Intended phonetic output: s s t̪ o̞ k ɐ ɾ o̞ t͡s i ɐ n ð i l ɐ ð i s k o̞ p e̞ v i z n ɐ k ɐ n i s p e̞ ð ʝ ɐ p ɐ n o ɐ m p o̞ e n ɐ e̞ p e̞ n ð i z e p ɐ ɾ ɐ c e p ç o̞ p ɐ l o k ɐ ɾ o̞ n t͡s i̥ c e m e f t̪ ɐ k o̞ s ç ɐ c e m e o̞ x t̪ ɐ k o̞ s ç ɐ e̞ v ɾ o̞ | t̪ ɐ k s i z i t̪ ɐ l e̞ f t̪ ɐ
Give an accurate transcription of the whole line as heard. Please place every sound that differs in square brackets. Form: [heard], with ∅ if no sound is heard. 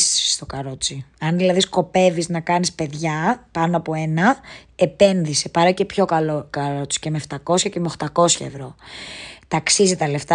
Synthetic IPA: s s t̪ o̞ k ɐ ɾ o̞ t͡s i ɐ n ð i l ɐ ð i s k o̞ p e̞ v i z n ɐ k ɐ n i s p e̞ ð ʝ ɐ p ɐ n o ɐ [∅] p o̞ e n ɐ e̞ p e̞ n ð i [s] e p ɐ ɾ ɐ c e p ç o̞ [k] ɐ l o k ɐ ɾ o̞ [∅] t͡s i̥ c e m e f t̪ ɐ k o̞ s ç ɐ c e m e o̞ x t̪ ɐ k o̞ s ç ɐ e̞ v ɾ o̞ | t̪ ɐ k s i z i t̪ ɐ l e̞ f t̪ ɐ